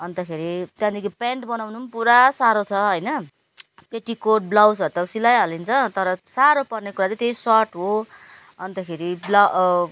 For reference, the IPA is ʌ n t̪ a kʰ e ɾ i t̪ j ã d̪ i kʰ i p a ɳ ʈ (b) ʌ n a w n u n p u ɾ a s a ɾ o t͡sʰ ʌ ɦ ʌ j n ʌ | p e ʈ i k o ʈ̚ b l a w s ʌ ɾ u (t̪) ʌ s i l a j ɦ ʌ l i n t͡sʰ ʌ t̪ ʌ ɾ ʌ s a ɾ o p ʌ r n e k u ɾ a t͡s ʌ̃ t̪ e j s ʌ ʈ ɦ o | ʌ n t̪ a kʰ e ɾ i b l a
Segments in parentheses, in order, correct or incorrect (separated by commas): correct, correct